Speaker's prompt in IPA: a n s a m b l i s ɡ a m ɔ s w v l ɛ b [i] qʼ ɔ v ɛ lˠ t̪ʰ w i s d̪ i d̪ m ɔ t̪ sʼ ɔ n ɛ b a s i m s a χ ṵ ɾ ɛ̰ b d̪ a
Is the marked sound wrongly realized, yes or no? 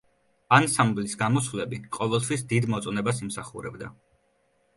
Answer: no